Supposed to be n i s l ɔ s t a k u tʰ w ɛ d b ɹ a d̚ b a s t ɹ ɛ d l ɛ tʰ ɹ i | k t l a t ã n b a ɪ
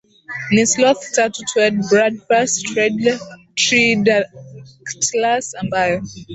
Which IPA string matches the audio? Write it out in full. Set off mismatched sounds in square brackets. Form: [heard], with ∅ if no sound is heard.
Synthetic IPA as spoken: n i s l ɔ [θ] t a [t] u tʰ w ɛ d b ɹ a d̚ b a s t ɹ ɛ d l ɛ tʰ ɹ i | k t l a [s] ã n b a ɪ